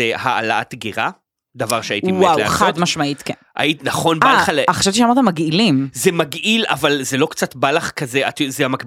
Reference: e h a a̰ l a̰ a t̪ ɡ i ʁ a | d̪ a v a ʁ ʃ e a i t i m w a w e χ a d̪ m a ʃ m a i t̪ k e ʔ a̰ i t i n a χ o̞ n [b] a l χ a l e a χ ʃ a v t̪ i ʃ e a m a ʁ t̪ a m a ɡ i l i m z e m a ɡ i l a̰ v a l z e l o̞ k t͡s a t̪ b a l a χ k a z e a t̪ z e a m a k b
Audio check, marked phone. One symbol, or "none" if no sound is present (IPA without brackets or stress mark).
b